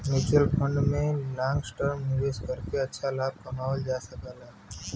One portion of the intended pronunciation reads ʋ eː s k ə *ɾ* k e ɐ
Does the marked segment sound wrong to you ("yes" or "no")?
no